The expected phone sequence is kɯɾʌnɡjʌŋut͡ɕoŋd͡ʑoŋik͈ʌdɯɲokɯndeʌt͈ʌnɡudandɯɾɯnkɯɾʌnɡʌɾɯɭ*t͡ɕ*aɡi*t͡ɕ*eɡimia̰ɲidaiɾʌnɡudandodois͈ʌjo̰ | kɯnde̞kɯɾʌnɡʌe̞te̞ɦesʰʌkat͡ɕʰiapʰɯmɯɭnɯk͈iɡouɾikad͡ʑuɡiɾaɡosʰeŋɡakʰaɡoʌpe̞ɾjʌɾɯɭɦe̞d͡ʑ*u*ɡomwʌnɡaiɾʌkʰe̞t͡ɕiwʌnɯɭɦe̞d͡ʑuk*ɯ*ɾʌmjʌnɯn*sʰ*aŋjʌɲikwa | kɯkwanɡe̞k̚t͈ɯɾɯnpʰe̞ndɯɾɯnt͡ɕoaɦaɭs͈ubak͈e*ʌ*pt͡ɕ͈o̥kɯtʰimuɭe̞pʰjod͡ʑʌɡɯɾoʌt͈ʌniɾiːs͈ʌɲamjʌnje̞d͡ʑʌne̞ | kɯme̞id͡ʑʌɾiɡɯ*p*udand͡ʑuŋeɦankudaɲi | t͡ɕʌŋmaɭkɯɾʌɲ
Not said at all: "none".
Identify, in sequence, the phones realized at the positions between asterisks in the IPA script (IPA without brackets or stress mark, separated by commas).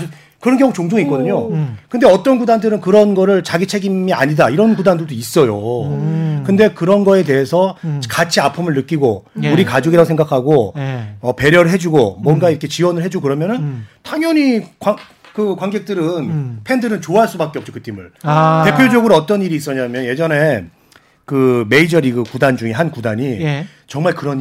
t͡ɕ, t͡ɕʰ, u, ɯ, tʰ, ʌ, k